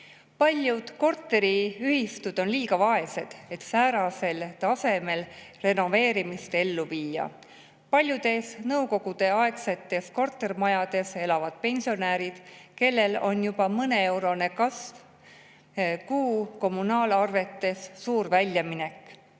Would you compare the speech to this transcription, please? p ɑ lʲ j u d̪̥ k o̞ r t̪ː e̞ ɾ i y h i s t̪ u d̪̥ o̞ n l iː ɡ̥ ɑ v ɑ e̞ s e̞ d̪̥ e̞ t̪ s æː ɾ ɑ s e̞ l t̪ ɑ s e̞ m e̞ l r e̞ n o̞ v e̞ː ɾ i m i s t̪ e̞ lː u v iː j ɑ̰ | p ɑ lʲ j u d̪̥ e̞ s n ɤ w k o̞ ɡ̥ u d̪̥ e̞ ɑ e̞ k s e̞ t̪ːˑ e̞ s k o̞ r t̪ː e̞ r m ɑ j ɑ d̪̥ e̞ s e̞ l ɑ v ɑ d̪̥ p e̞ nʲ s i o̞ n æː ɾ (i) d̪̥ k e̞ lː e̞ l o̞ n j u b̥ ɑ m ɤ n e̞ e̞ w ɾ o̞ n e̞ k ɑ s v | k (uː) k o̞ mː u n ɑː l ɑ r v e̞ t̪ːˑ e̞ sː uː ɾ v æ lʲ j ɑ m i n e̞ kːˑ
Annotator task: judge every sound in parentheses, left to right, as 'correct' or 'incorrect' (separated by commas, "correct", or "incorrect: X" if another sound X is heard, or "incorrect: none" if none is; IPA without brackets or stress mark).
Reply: correct, correct